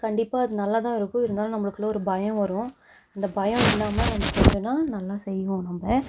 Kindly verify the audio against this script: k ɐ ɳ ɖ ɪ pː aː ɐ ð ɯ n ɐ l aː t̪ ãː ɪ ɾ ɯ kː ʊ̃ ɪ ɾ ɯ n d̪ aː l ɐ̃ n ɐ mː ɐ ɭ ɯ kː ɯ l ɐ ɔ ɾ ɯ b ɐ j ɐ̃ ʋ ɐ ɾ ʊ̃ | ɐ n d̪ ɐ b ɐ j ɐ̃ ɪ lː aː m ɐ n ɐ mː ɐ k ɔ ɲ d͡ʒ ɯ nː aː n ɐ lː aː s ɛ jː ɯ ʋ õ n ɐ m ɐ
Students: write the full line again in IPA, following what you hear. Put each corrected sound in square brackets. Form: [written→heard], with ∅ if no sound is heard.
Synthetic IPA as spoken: k ɐ ɳ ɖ ɪ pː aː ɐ ð ɯ n ɐ [l→lː] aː t̪ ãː ɪ ɾ ɯ kː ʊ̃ ɪ ɾ ɯ n d̪ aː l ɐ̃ n ɐ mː ɐ ɭ ɯ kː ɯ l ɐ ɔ ɾ ɯ b ɐ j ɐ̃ ʋ ɐ ɾ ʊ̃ | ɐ n d̪ ɐ b ɐ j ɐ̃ ɪ lː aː m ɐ n ɐ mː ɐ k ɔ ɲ d͡ʒ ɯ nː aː n ɐ lː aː s ɛ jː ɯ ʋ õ n ɐ m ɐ